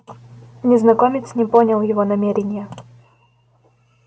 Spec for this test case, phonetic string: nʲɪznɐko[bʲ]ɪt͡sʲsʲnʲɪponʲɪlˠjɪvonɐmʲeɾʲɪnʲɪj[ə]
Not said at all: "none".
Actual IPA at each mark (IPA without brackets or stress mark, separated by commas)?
mʲ, ə